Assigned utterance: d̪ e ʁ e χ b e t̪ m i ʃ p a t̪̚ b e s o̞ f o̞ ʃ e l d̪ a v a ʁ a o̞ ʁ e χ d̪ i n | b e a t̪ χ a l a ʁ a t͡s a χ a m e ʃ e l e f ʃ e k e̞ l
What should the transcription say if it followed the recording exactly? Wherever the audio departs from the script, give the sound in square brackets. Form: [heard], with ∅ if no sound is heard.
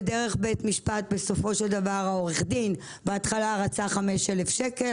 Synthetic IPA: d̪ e ʁ e χ b e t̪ m i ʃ p a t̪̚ b e s o̞ f o̞ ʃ e l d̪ a v a ʁ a o̞ ʁ e χ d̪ i n | b e a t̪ χ a l a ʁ a t͡s a χ a m e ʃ e l e f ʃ e k e̞ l